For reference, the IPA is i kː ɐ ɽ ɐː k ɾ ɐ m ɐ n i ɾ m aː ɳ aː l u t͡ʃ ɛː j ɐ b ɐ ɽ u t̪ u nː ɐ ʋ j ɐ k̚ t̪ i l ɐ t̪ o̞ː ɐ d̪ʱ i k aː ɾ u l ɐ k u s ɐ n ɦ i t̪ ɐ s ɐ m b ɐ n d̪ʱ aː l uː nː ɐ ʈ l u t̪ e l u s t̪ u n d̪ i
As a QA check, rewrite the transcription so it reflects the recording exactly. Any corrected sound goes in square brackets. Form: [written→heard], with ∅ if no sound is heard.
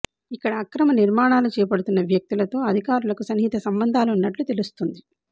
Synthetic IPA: i kː ɐ ɽ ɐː k ɾ ɐ m ɐ n i ɾ m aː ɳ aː l u t͡ʃ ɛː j ɐ [b→p] ɐ ɽ u t̪ u nː ɐ ʋ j ɐ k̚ t̪ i l ɐ t̪ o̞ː ɐ d̪ʱ i k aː ɾ u l ɐ k u s ɐ n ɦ i t̪ ɐ s ɐ m b ɐ n d̪ʱ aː l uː nː ɐ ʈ l u t̪ e l u s t̪ u n d̪ i